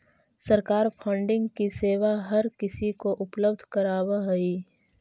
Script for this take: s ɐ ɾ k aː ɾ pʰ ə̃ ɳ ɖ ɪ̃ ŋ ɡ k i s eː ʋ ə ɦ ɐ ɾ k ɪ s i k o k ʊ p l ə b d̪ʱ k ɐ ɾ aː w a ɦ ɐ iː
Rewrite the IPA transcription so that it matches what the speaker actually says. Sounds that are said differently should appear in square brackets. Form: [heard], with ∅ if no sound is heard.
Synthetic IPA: s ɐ ɾ k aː ɾ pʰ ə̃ ɳ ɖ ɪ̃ ŋ ɡ k i s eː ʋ [a] ɦ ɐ ɾ k ɪ s i k o [ʔ] ʊ p l ə b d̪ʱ k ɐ ɾ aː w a ɦ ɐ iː